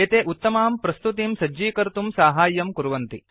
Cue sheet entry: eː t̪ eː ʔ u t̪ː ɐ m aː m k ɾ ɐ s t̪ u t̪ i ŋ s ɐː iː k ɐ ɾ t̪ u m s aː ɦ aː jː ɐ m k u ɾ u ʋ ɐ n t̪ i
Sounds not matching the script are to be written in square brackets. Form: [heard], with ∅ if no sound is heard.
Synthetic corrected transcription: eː t̪ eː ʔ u t̪ː ɐ m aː m [p] ɾ ɐ s t̪ u t̪ i [m] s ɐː iː k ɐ ɾ t̪ u m s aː ɦ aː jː ɐ m k u ɾ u ʋ ɐ n t̪ i